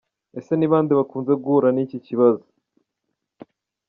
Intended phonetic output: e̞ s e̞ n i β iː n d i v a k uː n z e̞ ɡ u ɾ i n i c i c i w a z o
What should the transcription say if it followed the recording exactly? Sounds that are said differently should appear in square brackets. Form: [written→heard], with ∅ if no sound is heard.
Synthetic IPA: e̞ s e̞ n i β [iː→aː] n d i [v→β] a k uː n z e̞ ɡ u ɾ [i→a] n i c i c i [w→β] a z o